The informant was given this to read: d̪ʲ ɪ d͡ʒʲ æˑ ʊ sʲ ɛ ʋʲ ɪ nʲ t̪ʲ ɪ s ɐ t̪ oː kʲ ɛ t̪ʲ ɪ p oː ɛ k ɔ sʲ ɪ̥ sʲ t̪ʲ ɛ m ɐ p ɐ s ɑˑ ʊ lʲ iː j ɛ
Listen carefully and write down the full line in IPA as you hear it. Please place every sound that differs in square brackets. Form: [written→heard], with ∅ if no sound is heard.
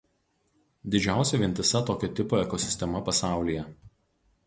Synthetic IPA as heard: d̪ʲ ɪ d͡ʒʲ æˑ ʊ sʲ ɛ ʋʲ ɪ nʲ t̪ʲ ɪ s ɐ t̪ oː kʲ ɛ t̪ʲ ɪ p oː ɛ k ɔ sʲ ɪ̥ sʲ t̪ʲ ɛ m ɐ p ɐ s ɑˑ ʊ lʲ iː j ɛ

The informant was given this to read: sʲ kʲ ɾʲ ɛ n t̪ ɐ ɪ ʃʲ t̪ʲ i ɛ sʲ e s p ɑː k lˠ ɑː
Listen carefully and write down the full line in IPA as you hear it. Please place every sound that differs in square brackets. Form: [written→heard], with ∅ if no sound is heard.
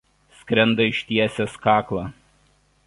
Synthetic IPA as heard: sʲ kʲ ɾʲ ɛ n [t̪→d̪] ɐ ɪ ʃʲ t̪ʲ i ɛ sʲ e s [p→k] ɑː k lˠ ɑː

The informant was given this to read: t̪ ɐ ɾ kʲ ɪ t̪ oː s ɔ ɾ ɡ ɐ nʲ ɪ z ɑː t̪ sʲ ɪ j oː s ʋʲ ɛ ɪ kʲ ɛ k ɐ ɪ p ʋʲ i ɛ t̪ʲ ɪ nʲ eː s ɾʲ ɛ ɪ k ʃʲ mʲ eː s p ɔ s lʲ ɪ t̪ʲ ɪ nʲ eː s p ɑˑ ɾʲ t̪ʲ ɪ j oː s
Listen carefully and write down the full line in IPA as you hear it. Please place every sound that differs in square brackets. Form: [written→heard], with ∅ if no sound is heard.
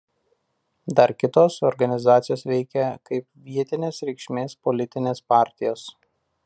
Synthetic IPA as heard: [t̪→d̪] ɐ ɾ kʲ ɪ t̪ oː s ɔ ɾ ɡ ɐ nʲ ɪ z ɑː t̪ sʲ ɪ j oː s ʋʲ ɛ ɪ kʲ ɛ k ɐ ɪ p ʋʲ i ɛ t̪ʲ ɪ nʲ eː s ɾʲ ɛ ɪ k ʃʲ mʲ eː s p ɔ [s→∅] lʲ ɪ t̪ʲ ɪ nʲ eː s p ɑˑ ɾʲ t̪ʲ ɪ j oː s

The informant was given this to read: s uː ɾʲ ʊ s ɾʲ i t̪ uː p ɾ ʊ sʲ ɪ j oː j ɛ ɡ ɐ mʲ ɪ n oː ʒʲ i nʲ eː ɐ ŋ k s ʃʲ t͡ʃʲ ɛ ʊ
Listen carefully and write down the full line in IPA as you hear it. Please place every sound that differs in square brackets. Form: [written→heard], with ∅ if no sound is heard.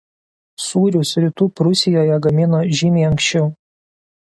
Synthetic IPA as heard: s uː ɾʲ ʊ s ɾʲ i t̪ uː p ɾ ʊ sʲ ɪ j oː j ɛ ɡ ɐ mʲ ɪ n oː ʒʲ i [nʲ→mʲ] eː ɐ ŋ k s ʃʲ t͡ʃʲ ɛ ʊ

